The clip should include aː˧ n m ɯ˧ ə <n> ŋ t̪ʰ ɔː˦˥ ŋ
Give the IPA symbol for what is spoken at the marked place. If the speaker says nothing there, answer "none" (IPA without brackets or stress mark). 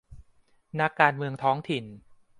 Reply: none